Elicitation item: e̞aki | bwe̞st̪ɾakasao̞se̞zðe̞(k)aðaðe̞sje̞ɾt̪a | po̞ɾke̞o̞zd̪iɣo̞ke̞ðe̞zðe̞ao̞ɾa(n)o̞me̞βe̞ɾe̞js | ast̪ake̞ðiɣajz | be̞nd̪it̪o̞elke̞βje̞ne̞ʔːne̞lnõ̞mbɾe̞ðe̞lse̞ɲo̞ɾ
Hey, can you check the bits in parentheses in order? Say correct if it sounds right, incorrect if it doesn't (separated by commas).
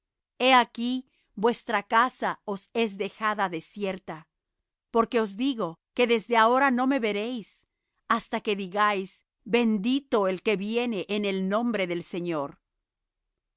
incorrect, correct